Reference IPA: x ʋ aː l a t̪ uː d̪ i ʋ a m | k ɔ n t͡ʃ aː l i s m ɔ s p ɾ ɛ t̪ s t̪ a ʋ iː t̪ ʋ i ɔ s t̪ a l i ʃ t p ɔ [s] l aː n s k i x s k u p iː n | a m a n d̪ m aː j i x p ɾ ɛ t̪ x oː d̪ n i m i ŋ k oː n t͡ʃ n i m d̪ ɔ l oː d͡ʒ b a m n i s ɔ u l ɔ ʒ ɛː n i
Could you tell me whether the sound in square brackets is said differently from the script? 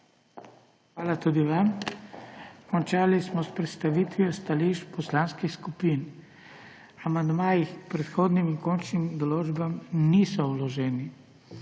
no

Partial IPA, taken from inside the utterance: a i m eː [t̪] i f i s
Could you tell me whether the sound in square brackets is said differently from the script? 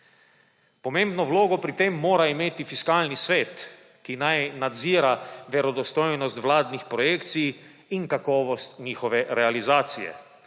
no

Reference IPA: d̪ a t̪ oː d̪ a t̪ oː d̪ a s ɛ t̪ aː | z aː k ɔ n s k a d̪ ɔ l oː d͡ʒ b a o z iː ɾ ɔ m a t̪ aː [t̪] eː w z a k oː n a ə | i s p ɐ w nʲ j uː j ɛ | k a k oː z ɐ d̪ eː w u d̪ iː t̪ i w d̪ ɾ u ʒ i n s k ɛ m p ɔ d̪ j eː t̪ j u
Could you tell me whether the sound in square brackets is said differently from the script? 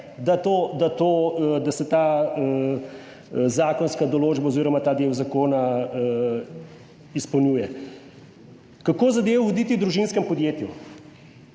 yes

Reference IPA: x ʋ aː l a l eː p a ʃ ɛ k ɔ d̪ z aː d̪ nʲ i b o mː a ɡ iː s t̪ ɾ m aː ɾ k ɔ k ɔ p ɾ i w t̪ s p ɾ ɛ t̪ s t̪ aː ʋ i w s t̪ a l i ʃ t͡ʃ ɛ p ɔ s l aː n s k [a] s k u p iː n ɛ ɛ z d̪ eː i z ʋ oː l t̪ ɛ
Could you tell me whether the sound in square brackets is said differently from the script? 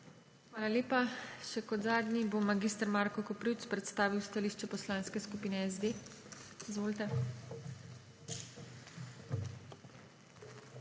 yes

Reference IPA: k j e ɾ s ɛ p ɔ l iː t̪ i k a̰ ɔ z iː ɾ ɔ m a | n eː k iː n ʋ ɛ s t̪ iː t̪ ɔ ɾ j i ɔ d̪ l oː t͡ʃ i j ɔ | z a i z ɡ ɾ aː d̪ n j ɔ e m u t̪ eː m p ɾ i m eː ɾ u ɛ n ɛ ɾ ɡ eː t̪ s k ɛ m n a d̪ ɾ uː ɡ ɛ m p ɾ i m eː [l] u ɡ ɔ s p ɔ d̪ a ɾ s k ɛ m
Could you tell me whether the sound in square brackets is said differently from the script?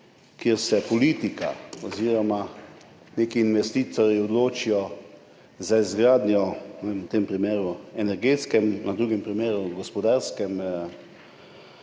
yes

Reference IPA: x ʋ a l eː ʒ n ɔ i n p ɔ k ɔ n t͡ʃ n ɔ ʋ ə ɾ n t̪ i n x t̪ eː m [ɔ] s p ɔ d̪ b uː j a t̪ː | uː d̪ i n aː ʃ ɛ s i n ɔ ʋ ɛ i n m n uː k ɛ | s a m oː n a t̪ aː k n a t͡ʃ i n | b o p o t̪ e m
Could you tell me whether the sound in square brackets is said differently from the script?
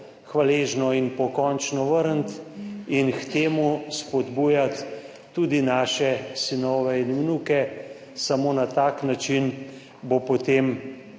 yes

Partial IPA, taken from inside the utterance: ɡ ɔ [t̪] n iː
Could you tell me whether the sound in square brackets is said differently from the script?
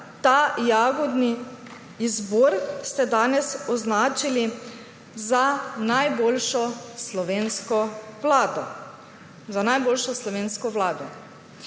yes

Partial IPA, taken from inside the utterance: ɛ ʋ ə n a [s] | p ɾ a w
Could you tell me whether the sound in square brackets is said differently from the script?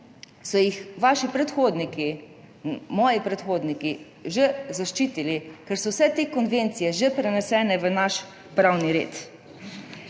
yes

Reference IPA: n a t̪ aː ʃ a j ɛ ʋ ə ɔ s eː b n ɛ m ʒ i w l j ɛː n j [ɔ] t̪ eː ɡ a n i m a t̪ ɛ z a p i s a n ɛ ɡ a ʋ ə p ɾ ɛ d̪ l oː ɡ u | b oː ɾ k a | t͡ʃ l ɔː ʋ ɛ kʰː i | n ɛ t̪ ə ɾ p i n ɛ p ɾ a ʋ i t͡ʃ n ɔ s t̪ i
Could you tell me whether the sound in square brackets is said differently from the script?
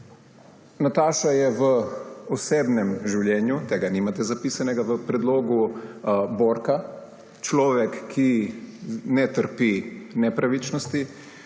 yes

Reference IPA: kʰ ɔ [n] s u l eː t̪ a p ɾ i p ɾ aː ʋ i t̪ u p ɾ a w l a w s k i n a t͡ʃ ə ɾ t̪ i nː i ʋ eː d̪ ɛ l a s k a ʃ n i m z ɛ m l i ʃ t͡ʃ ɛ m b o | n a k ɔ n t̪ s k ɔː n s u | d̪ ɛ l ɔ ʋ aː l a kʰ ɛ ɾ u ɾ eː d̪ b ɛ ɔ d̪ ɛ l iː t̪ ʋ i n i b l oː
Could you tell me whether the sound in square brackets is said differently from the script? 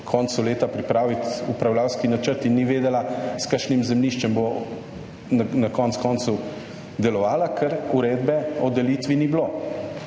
no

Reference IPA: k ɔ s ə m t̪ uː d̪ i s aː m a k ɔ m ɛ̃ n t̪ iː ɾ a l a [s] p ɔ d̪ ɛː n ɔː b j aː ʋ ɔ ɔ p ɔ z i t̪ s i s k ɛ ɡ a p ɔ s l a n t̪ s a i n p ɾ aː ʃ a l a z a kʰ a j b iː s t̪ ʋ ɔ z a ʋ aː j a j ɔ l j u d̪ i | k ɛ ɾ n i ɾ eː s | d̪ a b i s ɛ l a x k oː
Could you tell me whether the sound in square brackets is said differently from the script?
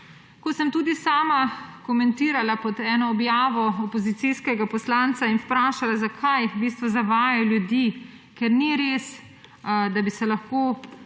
yes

